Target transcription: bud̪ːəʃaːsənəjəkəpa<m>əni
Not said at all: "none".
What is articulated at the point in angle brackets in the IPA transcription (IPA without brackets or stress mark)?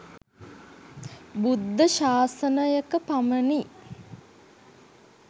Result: m